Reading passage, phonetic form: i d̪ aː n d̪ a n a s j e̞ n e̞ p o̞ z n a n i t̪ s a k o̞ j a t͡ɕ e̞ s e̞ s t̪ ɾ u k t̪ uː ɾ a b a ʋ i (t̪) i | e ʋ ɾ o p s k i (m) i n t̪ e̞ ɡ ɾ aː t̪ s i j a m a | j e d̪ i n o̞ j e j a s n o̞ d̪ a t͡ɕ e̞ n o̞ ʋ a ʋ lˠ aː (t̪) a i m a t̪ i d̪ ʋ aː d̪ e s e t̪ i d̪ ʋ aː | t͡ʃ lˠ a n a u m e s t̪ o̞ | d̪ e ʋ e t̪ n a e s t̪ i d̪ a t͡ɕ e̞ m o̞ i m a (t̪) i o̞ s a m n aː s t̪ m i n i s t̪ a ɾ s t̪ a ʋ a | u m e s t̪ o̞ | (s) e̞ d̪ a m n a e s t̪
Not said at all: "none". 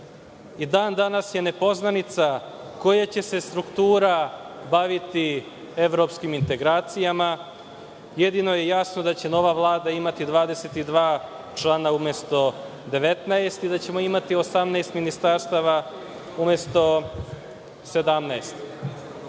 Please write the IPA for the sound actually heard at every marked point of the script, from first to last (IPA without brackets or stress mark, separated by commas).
t̪, m, d̪, t̪, s